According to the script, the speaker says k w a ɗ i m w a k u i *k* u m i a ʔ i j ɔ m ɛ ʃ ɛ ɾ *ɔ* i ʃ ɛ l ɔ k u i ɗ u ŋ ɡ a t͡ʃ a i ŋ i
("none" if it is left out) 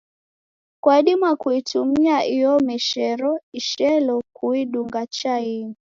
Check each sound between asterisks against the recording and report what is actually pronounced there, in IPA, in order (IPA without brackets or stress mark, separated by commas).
t, ɔ